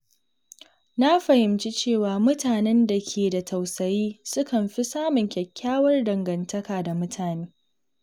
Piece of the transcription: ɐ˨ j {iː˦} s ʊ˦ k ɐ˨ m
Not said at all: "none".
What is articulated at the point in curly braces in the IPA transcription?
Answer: iː˦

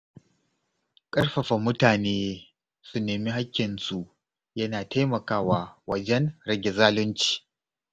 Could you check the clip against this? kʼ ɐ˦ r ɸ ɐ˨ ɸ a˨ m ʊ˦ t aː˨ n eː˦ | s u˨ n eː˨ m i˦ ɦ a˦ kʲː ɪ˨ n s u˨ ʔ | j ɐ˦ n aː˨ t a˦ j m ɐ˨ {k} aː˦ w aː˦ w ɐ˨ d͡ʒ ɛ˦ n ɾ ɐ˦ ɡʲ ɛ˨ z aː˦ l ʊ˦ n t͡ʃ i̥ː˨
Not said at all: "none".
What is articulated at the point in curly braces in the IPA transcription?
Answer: k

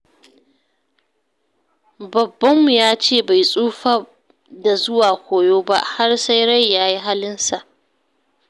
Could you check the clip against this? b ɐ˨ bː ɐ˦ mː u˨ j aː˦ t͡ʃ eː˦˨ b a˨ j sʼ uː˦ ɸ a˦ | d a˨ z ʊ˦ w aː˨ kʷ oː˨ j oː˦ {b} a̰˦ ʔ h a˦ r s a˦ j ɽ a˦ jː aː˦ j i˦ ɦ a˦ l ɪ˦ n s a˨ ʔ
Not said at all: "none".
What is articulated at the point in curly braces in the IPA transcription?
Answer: b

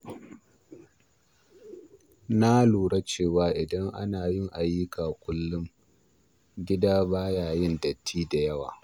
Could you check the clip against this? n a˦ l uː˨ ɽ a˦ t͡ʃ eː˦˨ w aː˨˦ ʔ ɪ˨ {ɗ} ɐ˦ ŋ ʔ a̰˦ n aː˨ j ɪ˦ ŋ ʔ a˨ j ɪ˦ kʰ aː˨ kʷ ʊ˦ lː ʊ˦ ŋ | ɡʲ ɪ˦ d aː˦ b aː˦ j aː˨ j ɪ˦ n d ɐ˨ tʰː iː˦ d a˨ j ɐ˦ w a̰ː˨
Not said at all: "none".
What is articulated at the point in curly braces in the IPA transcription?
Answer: d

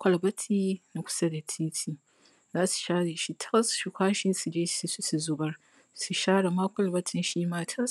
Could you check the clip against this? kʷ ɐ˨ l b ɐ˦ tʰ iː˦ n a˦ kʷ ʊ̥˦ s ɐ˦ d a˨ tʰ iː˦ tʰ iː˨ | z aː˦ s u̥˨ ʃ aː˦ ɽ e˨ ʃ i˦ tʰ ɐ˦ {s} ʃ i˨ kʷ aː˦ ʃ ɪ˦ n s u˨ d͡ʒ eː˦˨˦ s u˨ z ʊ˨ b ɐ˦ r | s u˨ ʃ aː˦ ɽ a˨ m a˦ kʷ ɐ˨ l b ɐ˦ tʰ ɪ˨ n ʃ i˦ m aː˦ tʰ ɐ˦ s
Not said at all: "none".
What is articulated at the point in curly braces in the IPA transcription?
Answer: s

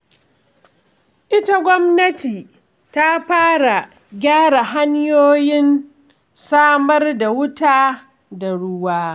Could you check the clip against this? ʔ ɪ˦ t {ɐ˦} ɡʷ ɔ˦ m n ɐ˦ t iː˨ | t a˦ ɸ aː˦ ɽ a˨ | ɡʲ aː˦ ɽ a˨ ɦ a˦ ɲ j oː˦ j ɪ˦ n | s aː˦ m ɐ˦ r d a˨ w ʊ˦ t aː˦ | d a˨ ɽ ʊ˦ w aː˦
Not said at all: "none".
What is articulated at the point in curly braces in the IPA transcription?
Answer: a˦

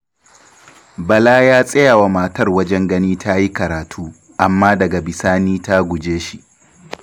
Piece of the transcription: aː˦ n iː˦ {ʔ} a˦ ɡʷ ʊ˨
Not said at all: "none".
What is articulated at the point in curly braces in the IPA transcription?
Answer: t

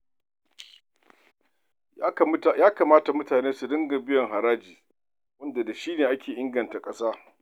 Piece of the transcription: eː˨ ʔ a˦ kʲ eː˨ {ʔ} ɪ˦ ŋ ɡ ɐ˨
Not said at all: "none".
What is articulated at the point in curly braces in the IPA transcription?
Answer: ʔ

